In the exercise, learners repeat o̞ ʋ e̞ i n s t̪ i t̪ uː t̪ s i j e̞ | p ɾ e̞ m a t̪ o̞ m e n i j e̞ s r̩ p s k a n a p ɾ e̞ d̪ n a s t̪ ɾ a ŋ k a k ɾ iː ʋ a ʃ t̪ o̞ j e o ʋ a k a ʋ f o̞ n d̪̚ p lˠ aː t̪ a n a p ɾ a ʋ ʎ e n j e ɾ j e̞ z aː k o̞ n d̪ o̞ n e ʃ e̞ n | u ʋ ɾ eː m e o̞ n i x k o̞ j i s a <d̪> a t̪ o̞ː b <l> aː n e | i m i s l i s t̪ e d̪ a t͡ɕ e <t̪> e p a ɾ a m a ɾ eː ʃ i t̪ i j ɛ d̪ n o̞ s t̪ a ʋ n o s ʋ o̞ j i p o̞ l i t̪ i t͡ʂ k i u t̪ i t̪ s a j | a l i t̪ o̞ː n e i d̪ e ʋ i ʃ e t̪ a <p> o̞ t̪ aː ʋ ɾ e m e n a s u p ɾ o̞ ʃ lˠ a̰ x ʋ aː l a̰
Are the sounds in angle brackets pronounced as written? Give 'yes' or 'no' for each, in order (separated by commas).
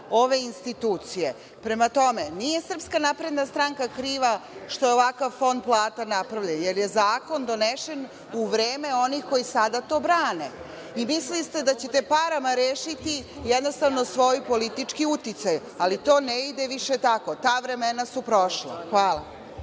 yes, no, yes, no